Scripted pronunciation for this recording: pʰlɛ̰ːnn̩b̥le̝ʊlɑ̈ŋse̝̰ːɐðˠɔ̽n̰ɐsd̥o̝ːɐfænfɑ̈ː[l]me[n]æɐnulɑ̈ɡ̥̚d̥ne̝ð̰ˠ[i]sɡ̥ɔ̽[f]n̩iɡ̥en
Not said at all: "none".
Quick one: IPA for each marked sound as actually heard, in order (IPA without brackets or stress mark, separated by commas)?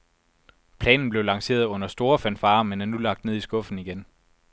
none, n, i, f